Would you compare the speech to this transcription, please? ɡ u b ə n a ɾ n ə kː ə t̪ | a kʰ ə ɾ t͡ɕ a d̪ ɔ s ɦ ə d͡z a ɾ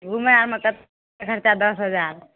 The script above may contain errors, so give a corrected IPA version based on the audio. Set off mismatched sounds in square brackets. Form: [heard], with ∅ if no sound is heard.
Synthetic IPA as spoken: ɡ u [m] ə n a ɾ [m] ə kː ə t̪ | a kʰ ə ɾ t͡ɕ a d̪ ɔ s ɦ ə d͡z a ɾ